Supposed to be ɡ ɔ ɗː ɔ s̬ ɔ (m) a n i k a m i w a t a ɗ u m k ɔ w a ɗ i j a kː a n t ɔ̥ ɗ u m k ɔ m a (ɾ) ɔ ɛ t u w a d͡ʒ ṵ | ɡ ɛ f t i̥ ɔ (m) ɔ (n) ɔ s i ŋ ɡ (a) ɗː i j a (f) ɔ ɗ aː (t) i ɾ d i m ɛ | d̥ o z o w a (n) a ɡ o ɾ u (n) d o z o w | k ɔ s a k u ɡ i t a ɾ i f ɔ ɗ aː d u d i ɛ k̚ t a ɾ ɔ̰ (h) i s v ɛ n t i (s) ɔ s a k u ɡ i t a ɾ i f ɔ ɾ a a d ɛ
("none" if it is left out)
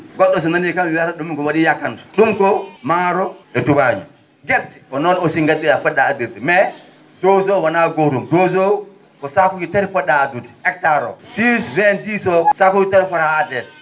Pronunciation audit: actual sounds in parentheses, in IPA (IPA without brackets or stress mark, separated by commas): n, ɾ, n, n, a, f, d, n, m, s, s